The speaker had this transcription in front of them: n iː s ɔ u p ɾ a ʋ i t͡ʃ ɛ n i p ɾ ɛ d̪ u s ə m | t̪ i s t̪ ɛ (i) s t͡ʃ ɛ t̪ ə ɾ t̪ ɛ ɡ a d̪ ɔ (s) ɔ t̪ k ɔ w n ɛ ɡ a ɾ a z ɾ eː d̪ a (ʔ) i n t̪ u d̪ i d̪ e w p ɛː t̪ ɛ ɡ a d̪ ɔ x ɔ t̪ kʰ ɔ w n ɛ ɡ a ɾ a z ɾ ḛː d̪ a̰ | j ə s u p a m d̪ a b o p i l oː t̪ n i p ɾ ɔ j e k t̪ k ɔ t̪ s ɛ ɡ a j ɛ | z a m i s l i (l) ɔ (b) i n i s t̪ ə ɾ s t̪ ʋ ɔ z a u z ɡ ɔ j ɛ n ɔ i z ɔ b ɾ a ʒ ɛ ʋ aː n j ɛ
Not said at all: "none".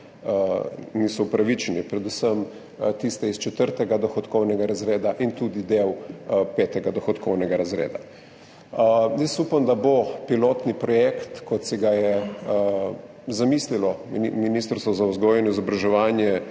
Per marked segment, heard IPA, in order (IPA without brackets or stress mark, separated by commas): i, x, ʔ, l, m